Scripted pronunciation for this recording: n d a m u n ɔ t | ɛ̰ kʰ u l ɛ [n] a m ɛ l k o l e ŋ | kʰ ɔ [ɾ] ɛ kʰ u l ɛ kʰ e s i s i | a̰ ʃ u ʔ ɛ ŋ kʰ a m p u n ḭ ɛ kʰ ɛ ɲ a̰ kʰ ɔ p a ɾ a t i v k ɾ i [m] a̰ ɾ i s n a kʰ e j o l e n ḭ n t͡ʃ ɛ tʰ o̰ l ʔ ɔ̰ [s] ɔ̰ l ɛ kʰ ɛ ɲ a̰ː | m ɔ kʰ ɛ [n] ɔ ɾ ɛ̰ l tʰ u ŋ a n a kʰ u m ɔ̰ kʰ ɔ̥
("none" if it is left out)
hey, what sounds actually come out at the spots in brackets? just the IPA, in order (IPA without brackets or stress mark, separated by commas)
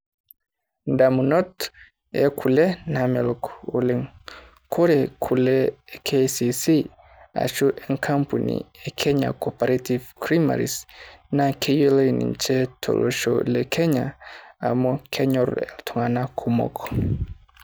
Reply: n, ɾ, m, ʃ, ɲ